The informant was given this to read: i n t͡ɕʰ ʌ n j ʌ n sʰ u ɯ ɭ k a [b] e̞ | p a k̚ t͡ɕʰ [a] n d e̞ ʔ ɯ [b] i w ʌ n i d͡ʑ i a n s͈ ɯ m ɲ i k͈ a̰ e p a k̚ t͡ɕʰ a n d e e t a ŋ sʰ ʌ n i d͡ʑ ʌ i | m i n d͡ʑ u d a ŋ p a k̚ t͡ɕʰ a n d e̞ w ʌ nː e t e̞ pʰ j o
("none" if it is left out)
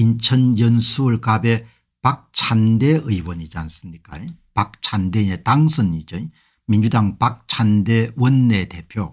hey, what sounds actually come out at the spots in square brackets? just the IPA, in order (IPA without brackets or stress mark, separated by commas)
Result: b, a, none